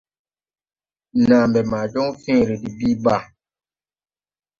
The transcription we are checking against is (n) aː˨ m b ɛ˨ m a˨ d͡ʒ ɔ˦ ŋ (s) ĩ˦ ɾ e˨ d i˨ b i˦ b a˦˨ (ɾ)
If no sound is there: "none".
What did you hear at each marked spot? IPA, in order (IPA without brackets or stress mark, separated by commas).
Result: n, f, none